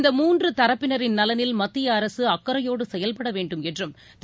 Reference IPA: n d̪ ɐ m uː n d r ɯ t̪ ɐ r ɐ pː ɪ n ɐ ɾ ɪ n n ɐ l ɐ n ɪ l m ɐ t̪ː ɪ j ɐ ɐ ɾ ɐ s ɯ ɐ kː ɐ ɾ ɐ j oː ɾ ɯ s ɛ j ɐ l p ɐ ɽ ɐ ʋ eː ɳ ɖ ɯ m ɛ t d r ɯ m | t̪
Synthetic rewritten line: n d̪ ɐ m uː n d r ɯ t̪ ɐ ɾ ɐ pː ɪ n ɐ ɾ ɪ n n ɐ l ɐ n ɪ l m ɐ t̪ː ɪ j ɐ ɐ ɾ ɐ s ɯ ɐ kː ɐ ɾ ɐ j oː ɽ ɯ s ɛ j ɐ l p ɐ ɽ ɐ ʋ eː ɳ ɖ ɯ m ɛ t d r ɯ m | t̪